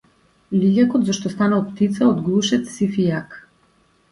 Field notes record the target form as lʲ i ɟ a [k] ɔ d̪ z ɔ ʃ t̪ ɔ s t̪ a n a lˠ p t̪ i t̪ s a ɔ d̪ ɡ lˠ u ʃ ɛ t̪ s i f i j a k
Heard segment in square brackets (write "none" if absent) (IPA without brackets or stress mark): k